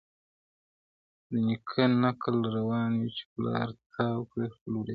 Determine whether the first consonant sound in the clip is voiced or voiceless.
voiced